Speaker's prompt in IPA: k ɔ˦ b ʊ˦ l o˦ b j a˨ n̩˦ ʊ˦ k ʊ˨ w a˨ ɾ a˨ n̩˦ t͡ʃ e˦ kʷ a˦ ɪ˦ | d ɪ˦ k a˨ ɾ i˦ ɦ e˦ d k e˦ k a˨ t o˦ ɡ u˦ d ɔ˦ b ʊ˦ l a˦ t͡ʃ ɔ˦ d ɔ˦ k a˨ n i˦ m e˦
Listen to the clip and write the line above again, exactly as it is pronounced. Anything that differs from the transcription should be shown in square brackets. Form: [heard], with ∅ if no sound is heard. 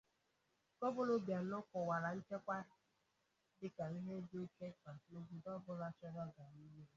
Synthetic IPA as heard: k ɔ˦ b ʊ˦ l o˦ b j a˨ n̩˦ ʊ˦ k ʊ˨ w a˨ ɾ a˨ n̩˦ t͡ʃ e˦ kʷ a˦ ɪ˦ | d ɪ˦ k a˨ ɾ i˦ ɦ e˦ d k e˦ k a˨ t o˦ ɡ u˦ d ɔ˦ b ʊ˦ l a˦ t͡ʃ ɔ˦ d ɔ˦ [ɡ] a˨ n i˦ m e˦